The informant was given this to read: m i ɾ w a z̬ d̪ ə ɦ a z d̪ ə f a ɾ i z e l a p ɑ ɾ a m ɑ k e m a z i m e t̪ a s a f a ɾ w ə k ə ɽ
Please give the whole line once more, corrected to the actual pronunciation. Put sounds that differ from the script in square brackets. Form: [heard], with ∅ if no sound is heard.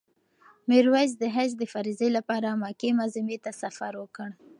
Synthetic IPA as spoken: m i ɾ w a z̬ d̪ ə ɦ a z d̪ ə f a ɾ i z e l a p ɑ ɾ a m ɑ k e m a z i m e t̪ a s a f a ɾ w ə k ə ɽ